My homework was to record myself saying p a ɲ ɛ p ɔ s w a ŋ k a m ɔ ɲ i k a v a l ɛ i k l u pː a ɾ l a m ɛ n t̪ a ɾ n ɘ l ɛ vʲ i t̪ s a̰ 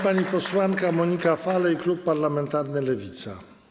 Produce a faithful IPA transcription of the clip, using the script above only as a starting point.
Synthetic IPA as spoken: p a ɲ i p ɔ s w a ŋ k a m ɔ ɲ i k a f a l ɛ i k l u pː a ɾ l a m ɛ n t̪ a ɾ n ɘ l ɛ vʲ i t̪ s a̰